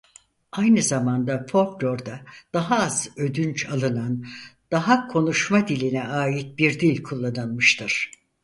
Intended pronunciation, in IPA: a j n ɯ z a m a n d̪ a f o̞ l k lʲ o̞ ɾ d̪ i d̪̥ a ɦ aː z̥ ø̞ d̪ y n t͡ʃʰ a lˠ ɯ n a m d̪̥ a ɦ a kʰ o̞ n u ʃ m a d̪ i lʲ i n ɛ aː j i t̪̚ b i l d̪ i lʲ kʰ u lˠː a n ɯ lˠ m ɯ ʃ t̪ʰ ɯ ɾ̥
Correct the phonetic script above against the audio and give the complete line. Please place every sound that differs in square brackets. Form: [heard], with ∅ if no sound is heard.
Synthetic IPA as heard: a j n ɯ z a m a n d̪ a f o̞ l k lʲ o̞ ɾ d̪ [a] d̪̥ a ɦ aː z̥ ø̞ d̪ y n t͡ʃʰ a lˠ ɯ n a [n] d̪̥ a ɦ a kʰ o̞ n u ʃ m a d̪ i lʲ i n ɛ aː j i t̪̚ b i [ɾ] d̪ i lʲ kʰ u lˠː a n ɯ lˠ m ɯ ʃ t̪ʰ ɯ ɾ̥

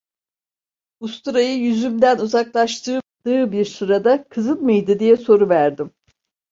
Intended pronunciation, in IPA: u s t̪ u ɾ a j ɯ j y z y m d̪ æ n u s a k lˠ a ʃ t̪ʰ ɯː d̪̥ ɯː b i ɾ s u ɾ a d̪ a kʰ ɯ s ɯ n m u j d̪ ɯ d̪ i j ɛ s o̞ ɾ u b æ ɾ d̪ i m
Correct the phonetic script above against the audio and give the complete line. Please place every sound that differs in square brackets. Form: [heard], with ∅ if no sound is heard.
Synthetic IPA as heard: u s t̪ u ɾ a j ɯ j y z y m d̪ æ n u [z] a k lˠ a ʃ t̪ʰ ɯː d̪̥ ɯː b i ɾ s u ɾ a d̪ a kʰ ɯ [z] ɯ n m [ɯ] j d̪ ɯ d̪ i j ɛ s o̞ ɾ u [v] æ ɾ d̪ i m

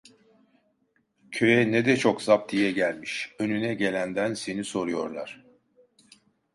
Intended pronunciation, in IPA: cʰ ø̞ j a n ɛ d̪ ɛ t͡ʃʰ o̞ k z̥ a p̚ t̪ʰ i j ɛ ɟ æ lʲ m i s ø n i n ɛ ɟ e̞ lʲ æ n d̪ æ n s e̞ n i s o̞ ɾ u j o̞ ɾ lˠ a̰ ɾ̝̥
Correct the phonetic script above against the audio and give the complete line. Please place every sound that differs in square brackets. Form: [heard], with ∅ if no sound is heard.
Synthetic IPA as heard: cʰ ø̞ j [ɛ] n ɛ d̪ ɛ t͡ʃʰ o̞ k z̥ a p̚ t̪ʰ i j ɛ ɟ æ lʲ m i [ʃ] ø n [y] n ɛ ɟ e̞ lʲ æ n d̪ æ n s e̞ n i s o̞ ɾ u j o̞ ɾ lˠ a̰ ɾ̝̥

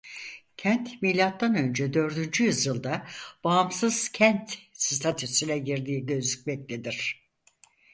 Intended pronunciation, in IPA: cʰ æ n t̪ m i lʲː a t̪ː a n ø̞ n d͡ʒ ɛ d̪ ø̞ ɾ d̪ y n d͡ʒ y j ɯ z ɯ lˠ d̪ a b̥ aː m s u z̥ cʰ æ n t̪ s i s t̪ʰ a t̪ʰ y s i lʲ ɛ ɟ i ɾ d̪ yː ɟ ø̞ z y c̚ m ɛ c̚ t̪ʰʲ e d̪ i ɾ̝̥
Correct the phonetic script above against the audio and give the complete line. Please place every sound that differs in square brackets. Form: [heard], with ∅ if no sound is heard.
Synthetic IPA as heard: cʰ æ n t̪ m i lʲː a t̪ː a n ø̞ n d͡ʒ ɛ d̪ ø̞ ɾ d̪ y n d͡ʒ y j ɯ z ɯ lˠ d̪ a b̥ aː m s [ɯ] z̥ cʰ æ n t̪ s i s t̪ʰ a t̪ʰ y s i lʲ ɛ ɟ i ɾ d̪ [iː] ɟ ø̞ z y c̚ m ɛ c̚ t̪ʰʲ e d̪ i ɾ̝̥

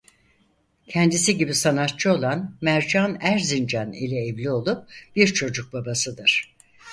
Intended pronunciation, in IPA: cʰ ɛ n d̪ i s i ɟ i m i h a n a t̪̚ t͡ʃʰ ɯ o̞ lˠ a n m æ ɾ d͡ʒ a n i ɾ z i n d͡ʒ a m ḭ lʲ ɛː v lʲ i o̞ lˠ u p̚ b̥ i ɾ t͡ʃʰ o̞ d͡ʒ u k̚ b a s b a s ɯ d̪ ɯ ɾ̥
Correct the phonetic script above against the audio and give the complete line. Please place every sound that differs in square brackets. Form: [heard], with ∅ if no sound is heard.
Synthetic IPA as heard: cʰ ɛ n d̪ i s i ɟ i [b] i [s] a n a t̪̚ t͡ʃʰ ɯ o̞ lˠ a n m æ ɾ d͡ʒ a n [æ] ɾ z i n d͡ʒ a [n] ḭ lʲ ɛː v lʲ i o̞ lˠ u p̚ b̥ i ɾ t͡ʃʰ o̞ d͡ʒ u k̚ b a [∅] b a s ɯ d̪ ɯ ɾ̥

